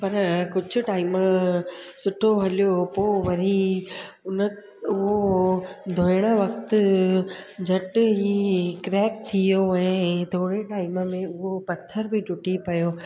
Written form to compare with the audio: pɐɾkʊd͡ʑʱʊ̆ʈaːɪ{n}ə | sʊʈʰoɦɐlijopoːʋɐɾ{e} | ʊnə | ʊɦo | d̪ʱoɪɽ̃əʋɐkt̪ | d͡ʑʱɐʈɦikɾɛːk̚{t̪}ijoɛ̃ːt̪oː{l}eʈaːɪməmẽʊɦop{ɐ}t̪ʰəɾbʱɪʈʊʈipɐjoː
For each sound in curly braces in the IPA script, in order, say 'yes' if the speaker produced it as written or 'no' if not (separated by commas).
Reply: no, no, no, no, yes